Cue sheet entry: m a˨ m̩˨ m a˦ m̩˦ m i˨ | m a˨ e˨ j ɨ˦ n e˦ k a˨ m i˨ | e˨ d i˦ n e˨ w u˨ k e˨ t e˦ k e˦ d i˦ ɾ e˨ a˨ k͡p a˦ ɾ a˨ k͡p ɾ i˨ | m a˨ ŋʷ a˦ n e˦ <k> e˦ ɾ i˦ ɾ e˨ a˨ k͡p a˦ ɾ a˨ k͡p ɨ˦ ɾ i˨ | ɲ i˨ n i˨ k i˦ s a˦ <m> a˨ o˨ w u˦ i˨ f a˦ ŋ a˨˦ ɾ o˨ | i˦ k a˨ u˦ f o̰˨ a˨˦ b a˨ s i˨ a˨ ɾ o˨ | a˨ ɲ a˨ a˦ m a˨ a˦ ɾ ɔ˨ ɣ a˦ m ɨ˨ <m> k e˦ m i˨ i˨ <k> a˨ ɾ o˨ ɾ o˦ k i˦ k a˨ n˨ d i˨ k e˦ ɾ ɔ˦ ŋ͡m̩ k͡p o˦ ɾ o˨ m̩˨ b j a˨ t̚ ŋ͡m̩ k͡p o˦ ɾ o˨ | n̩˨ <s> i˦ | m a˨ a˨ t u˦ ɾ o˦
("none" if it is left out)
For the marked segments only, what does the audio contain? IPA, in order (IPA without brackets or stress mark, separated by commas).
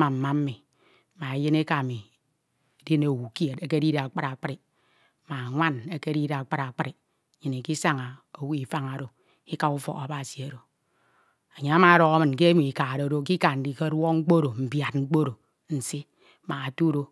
k, ŋ, n, k, s